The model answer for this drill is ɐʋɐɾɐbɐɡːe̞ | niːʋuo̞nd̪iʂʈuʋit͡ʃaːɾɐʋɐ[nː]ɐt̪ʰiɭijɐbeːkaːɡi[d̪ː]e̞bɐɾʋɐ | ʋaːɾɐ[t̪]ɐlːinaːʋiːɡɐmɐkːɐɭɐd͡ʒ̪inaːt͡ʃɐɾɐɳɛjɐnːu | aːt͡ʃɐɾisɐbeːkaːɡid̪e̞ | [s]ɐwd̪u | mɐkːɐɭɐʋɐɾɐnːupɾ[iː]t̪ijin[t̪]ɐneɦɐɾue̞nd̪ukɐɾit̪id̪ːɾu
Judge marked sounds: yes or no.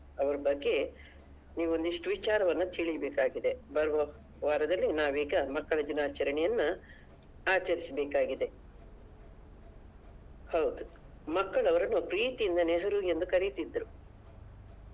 yes, no, no, no, yes, no

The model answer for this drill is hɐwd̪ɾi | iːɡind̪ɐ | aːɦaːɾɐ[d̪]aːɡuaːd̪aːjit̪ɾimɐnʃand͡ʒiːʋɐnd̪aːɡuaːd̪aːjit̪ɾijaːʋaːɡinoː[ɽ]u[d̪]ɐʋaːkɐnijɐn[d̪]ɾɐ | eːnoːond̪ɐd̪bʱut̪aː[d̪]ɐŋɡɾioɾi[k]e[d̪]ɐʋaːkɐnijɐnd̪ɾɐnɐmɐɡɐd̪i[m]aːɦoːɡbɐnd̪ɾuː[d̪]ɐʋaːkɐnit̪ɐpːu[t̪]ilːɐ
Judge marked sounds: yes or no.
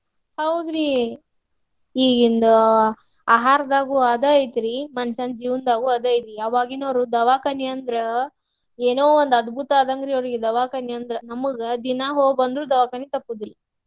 yes, no, yes, yes, yes, no, yes, no, yes, no

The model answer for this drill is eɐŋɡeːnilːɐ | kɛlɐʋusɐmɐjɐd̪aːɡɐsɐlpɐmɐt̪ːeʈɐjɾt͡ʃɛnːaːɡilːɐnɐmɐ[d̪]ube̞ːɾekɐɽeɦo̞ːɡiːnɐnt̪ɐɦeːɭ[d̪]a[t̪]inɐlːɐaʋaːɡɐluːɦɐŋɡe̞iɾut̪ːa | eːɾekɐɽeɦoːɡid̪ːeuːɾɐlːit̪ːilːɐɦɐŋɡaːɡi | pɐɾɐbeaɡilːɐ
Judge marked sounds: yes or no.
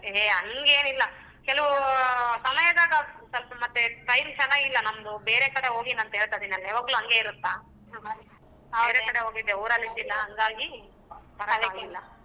yes, no, no

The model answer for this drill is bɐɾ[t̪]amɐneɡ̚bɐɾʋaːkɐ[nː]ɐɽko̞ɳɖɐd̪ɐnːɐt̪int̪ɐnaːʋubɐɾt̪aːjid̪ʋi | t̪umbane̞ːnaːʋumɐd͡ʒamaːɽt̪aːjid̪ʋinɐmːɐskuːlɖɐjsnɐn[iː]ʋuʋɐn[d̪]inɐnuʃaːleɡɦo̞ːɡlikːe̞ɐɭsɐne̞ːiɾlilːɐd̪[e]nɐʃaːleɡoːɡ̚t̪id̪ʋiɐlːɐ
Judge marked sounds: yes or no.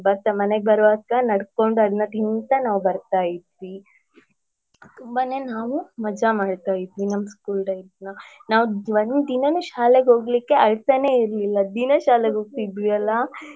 yes, no, no, yes, no

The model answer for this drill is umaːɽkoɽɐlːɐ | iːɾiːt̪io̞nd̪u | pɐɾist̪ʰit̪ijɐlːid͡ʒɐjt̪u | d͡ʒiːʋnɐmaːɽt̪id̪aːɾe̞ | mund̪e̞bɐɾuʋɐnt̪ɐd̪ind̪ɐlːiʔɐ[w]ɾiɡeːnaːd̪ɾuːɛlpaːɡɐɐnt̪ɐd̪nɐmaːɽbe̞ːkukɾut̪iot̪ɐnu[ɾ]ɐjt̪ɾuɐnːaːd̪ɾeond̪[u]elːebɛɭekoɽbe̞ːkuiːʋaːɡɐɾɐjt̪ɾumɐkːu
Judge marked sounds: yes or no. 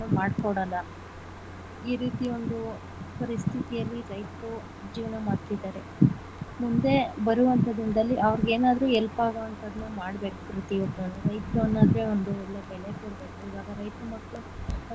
no, yes, yes

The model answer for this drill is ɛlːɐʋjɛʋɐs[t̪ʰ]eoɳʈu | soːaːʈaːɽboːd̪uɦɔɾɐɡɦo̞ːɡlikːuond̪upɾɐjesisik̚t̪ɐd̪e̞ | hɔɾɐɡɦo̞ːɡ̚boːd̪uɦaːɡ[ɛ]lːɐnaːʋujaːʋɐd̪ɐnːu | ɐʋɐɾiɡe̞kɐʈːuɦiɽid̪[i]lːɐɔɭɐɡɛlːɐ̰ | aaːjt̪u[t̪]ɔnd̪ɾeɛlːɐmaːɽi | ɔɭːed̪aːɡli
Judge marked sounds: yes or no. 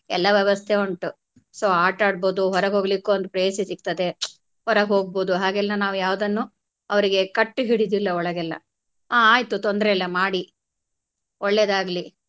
yes, yes, yes, yes

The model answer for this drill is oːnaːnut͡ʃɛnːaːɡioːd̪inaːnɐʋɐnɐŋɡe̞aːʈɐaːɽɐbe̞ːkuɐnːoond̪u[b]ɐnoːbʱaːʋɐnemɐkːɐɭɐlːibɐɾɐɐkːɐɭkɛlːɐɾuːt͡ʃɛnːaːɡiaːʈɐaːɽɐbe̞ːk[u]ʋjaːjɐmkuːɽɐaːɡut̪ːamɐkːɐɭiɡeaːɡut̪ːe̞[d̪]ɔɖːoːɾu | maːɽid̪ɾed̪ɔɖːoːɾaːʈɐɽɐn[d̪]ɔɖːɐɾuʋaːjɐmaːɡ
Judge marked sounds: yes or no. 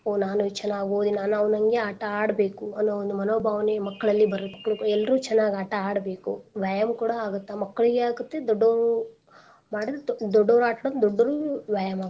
no, yes, yes, yes

